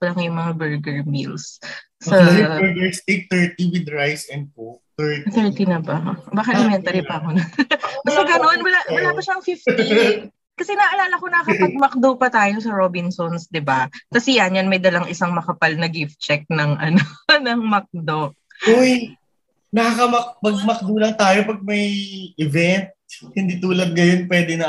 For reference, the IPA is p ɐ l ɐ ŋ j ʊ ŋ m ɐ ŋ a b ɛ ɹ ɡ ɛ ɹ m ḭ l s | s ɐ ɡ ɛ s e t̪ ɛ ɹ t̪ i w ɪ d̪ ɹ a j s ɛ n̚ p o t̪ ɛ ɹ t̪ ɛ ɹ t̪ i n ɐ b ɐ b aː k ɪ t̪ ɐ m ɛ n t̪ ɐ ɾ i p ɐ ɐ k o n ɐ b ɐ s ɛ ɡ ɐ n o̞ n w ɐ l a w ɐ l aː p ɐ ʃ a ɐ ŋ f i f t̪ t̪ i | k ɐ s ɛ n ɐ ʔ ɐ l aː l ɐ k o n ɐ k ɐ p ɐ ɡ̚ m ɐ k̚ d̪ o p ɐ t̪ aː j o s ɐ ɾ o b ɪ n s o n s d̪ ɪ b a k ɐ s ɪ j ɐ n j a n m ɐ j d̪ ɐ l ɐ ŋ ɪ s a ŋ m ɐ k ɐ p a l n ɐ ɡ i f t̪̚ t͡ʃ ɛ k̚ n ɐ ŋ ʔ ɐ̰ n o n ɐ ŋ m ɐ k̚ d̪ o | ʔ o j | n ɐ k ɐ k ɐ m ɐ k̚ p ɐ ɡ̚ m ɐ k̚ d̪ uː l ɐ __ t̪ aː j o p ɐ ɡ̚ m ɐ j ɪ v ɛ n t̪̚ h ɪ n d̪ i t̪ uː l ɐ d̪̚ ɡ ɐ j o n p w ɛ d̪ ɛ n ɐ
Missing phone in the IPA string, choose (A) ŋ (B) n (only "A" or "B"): A